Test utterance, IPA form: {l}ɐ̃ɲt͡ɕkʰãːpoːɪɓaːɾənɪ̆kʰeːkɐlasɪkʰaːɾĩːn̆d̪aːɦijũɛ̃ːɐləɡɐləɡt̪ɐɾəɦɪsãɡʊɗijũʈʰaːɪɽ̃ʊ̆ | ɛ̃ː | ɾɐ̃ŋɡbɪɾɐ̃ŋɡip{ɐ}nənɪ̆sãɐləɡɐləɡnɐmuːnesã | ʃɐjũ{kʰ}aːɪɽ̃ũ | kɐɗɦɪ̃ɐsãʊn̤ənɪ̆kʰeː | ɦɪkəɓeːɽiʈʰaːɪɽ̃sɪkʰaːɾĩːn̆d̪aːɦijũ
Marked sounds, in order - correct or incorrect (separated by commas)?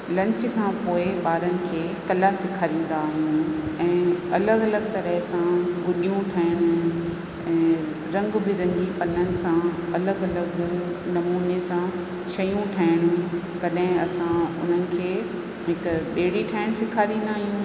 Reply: correct, correct, incorrect